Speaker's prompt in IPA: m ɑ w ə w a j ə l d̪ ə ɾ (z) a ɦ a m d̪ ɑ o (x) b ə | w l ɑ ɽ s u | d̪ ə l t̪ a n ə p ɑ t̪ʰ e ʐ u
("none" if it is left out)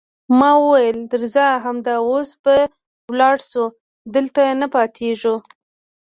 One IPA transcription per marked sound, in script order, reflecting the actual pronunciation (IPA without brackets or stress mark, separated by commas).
z, s